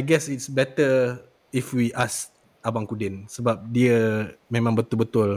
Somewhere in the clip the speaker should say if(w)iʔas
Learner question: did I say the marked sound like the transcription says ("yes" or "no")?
yes